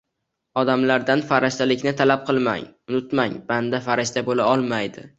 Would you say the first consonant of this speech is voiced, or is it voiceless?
voiced